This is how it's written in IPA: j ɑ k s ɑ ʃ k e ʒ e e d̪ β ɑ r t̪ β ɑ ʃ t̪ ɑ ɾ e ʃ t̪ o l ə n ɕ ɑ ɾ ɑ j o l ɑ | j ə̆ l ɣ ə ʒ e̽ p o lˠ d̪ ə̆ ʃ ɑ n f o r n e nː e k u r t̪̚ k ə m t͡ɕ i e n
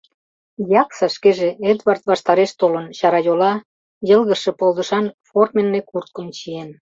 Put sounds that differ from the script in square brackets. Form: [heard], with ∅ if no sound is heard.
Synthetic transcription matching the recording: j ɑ k s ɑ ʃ k e ʒ e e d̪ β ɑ r t̪ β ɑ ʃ t̪ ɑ ɾ e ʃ t̪ o l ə n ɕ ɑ ɾ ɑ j o l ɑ | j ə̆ l ɣ ə [ʃ] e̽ p o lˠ d̪ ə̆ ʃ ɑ n f o r [m] e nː e k u r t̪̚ k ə m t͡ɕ i e n